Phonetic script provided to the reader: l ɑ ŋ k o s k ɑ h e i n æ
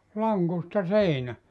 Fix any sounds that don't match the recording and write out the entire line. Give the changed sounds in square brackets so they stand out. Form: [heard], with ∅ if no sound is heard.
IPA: l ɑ ŋ k [u] s [t] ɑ [s] e i n æ